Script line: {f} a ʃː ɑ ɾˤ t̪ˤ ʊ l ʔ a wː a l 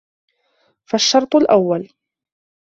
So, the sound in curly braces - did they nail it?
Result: yes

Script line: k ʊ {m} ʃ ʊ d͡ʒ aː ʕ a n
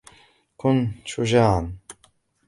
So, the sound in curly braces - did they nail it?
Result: no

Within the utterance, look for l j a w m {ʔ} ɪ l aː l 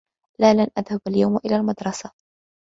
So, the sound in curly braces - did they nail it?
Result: yes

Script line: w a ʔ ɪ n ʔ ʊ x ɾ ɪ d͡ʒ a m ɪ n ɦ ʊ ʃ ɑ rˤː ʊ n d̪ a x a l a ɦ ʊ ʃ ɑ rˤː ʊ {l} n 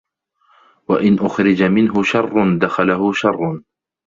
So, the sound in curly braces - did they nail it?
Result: no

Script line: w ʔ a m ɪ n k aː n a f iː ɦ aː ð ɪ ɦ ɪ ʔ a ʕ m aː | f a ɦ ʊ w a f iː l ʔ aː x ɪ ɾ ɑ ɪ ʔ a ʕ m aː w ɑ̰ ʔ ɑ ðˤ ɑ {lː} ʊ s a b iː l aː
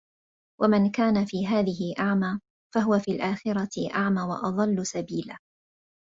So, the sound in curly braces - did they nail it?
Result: yes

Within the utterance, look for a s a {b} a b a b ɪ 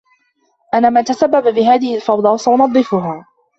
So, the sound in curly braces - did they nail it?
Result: no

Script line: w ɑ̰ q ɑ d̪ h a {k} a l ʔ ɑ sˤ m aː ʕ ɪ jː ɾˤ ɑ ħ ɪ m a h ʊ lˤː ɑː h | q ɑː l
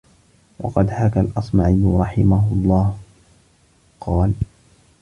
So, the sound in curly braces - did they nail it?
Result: yes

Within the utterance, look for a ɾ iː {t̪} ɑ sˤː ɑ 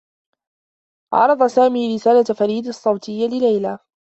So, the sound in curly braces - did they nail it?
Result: no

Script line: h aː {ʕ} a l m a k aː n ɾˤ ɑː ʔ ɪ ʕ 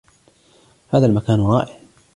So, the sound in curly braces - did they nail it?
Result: no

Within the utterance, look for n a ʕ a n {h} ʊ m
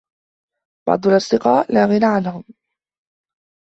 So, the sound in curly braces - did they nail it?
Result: yes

